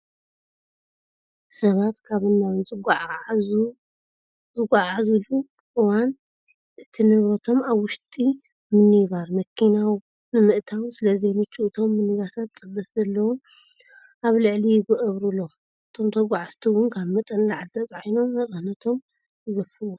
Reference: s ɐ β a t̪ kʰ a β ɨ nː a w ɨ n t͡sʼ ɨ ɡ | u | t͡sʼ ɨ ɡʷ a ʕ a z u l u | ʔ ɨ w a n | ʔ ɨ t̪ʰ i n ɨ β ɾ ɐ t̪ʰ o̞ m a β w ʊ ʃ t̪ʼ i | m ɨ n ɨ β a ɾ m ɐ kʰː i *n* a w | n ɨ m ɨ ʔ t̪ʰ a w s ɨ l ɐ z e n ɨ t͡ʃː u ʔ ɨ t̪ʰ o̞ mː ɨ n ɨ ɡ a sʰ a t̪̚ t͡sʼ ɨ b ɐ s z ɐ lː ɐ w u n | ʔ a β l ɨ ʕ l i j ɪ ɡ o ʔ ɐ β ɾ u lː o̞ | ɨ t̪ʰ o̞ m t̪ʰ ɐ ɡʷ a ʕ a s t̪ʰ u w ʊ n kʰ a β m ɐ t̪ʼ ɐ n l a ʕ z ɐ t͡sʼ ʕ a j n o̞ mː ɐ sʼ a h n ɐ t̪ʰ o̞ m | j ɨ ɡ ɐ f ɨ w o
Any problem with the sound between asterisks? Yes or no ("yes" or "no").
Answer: no